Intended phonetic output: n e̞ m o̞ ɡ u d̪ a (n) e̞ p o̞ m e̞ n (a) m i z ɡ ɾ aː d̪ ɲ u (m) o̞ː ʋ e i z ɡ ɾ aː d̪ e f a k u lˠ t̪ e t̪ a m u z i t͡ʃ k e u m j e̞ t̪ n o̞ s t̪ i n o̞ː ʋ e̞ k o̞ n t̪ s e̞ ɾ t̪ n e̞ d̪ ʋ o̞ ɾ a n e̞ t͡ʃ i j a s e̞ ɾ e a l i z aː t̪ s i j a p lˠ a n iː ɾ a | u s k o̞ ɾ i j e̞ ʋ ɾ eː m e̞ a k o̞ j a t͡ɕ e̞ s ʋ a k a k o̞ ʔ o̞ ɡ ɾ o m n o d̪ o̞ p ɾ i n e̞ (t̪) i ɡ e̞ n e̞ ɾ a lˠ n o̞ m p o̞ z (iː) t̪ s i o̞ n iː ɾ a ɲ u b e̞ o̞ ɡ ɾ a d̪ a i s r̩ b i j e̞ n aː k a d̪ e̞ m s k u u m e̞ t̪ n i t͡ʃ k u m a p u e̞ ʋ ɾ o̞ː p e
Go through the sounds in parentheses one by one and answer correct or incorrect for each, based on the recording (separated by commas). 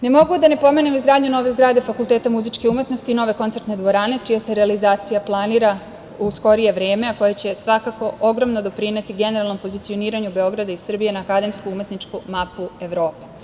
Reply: correct, incorrect, incorrect, correct, incorrect